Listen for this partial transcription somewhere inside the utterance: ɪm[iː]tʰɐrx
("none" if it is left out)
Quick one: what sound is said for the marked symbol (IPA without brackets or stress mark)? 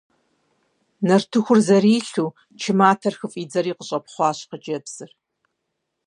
aː